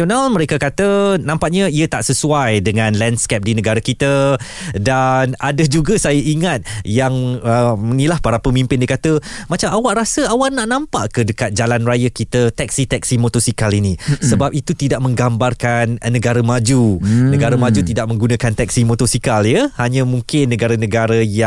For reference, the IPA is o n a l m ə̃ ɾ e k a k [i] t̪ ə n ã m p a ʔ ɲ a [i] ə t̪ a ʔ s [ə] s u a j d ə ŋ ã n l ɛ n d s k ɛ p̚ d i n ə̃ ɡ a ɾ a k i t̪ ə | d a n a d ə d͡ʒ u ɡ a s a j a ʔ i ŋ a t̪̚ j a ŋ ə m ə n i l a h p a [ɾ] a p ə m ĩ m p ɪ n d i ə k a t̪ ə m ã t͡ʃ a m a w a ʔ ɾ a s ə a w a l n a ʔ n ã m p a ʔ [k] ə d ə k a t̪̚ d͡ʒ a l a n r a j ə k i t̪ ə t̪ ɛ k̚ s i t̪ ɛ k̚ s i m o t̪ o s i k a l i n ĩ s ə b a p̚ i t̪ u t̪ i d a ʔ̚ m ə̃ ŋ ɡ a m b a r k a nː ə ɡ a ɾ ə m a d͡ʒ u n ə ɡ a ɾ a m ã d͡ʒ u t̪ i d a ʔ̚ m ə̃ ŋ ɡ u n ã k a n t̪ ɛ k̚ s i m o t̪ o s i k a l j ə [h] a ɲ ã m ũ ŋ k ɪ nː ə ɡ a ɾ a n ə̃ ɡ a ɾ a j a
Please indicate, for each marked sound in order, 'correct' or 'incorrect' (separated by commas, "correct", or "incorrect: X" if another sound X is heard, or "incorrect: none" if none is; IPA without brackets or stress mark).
incorrect: a, correct, correct, correct, correct, correct